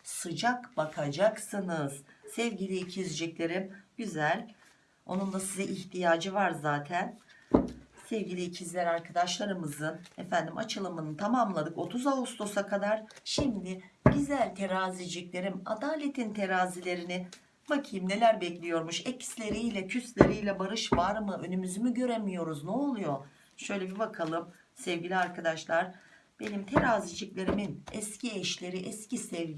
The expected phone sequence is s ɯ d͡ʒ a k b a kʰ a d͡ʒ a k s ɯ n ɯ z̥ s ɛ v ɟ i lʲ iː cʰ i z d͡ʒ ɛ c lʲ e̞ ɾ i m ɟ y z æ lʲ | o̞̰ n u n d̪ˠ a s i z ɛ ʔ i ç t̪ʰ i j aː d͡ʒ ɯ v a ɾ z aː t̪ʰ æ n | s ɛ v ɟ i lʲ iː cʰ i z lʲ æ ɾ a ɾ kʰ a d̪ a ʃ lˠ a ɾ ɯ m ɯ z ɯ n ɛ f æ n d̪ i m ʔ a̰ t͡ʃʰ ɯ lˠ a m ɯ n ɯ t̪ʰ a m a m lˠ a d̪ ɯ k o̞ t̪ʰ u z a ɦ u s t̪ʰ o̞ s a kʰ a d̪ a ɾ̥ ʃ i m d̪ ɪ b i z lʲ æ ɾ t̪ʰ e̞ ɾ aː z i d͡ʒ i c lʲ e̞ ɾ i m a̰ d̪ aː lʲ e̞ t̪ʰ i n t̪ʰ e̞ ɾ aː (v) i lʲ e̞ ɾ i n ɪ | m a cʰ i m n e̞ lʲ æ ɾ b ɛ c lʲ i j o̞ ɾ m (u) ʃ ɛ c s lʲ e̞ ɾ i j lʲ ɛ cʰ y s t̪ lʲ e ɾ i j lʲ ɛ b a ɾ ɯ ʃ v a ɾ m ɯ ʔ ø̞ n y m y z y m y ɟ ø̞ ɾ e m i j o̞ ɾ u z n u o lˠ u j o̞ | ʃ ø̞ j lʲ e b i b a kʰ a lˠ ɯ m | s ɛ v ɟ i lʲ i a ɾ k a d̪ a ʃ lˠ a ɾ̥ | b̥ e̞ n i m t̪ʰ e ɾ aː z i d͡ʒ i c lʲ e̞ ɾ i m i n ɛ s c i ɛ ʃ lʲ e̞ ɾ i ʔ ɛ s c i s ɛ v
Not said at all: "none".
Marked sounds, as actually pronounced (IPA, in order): z, u

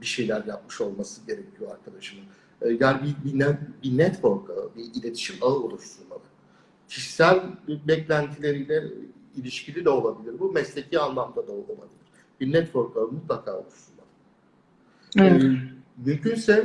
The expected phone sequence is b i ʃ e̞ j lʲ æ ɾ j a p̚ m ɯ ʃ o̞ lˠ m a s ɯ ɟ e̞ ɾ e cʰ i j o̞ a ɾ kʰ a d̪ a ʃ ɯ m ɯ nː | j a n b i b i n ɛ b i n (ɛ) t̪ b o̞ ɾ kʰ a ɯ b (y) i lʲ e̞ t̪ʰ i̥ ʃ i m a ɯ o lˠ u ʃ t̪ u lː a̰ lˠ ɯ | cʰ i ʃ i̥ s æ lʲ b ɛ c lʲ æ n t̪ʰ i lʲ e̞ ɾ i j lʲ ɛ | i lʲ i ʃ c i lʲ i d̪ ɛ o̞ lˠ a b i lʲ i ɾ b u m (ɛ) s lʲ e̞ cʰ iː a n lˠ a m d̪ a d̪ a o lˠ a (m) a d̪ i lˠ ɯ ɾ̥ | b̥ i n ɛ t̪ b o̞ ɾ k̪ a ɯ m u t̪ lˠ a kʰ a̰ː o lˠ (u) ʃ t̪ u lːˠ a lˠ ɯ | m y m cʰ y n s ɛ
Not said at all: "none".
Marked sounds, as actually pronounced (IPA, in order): ɛ, i, ɛ, m, u

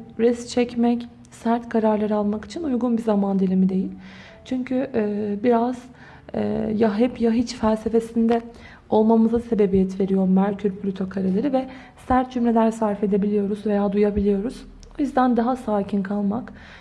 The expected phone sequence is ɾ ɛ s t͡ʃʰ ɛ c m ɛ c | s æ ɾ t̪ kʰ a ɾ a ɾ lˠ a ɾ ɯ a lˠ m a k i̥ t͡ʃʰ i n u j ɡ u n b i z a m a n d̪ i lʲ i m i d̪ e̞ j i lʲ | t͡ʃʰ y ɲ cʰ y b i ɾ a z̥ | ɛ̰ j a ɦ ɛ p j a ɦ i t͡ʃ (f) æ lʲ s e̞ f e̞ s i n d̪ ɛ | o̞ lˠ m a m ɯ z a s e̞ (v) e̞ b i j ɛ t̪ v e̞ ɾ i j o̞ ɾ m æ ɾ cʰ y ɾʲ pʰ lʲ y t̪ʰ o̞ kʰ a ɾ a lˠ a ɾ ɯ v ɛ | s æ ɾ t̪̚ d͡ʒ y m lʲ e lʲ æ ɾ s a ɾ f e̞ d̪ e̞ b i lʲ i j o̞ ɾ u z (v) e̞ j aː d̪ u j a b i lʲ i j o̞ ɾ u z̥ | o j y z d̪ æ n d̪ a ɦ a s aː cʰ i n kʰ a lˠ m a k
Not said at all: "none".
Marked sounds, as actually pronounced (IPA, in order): f, b, v

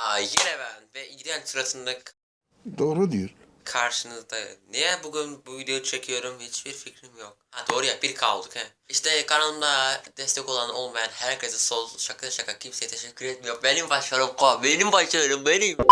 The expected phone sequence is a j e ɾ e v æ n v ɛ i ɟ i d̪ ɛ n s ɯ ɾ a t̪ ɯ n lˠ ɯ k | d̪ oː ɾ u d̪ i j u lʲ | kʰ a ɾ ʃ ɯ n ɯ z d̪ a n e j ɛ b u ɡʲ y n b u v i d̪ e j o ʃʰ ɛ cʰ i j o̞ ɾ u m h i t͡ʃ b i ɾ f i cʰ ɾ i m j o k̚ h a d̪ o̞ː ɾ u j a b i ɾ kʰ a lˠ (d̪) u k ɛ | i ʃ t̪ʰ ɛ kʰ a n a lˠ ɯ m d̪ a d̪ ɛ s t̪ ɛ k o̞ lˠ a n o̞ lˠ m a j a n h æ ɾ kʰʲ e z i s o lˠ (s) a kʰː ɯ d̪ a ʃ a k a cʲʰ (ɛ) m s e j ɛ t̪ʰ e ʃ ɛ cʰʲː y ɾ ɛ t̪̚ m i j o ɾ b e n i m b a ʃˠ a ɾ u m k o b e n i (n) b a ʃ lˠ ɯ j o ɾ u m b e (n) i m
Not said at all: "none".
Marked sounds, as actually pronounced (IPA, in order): d̪, ʃ, i, m, n

